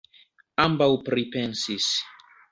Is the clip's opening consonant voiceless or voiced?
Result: voiced